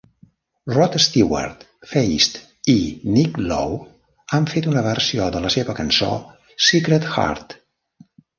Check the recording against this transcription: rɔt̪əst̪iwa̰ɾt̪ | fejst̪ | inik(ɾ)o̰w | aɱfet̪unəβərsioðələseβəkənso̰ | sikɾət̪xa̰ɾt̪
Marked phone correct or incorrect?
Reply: incorrect